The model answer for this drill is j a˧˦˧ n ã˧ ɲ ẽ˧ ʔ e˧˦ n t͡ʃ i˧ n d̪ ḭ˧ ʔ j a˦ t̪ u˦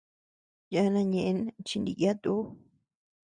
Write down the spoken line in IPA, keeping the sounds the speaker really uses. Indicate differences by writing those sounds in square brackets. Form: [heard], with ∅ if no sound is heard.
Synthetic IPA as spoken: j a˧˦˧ n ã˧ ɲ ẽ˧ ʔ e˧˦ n t͡ʃ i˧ n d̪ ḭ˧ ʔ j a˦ t̪ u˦